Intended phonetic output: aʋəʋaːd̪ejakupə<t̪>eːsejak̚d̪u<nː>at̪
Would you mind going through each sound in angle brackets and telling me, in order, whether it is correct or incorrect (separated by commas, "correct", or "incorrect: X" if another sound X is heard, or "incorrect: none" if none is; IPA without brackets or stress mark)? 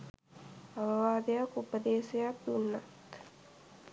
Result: incorrect: d̪, correct